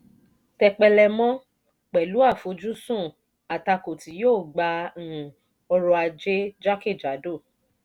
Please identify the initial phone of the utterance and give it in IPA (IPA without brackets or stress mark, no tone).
t